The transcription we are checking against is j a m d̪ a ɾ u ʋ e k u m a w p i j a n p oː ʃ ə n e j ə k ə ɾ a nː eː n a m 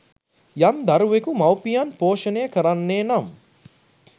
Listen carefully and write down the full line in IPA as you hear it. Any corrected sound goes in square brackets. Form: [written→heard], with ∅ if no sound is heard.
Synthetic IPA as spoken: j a m d̪ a ɾ u ʋ e k u m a w p i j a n p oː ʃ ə n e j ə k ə ɾ a nː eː n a m